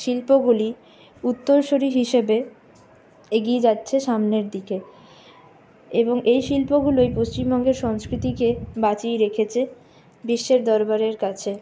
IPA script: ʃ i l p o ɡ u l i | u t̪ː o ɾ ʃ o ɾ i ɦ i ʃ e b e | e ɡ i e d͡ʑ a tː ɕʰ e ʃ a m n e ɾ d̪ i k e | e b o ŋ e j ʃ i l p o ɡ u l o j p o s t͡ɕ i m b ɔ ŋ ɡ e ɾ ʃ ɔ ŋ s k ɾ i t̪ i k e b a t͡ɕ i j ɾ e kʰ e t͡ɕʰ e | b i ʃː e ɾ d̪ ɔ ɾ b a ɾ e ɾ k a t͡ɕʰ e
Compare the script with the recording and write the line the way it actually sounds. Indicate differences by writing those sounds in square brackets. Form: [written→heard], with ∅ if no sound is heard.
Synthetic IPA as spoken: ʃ i l p o ɡ u l i | u t̪ː o ɾ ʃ o ɾ i ɦ i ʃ e b e | e ɡ i e d͡ʑ a tː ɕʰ e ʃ a m n e ɾ d̪ i k e | e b o ŋ e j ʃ i l p o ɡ u l o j p o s t͡ɕ i m b ɔ ŋ ɡ e ɾ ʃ ɔ ŋ s k ɾ i t̪ i k e b a t͡ɕ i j ɾ e kʰ e t͡ɕʰ e | b i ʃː e ɾ d̪ ɔ ɾ b a ɾ e ɾ k a t͡ɕʰ e